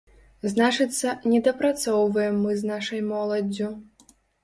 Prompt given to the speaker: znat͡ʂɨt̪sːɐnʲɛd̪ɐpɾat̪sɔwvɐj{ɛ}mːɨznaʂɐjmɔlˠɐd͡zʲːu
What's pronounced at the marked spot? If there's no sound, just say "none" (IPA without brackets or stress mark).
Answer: ɛ